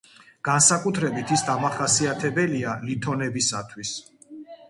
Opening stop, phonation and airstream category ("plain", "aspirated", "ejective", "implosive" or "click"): plain